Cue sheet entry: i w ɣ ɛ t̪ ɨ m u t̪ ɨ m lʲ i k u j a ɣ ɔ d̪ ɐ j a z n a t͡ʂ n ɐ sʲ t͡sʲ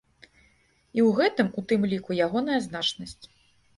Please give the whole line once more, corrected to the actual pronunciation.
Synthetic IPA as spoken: i w ɣ ɛ t̪ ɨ m u t̪ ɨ m lʲ i k u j a ɣ ɔ n̪ ɐ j ɐ z n a t͡ʂ n ɐ sʲ t͡sʲ